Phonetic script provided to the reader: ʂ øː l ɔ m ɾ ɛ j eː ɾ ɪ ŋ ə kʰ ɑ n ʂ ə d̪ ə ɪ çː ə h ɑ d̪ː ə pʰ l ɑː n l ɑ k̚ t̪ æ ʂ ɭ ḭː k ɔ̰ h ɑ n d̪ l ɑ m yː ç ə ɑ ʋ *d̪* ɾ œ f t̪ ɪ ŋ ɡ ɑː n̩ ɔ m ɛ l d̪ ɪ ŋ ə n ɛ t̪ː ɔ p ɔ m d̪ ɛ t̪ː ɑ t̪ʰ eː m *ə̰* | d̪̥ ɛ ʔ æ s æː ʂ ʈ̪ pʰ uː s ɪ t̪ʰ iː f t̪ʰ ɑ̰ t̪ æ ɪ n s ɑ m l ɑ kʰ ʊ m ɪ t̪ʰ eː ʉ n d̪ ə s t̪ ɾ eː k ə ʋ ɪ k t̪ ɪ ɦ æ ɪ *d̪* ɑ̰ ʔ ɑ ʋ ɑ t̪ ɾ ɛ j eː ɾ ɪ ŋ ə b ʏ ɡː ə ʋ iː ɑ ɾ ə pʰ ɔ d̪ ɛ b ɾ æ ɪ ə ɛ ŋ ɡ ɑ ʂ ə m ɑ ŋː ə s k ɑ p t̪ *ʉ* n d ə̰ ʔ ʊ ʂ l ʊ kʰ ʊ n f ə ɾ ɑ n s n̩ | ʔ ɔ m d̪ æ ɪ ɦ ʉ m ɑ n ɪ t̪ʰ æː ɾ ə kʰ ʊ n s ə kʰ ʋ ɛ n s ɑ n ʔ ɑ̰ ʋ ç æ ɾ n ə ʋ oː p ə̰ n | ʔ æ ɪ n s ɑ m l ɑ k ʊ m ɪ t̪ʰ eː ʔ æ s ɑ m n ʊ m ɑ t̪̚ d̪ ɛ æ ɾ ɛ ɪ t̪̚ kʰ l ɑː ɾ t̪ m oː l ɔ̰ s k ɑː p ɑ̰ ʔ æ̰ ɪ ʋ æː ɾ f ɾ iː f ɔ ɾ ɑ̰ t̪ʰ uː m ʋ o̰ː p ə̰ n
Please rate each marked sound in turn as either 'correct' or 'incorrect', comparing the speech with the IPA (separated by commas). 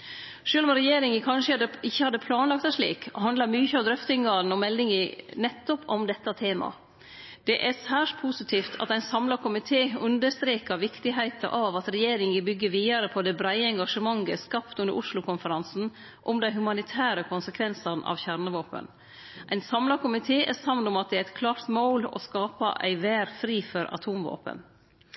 correct, incorrect, incorrect, correct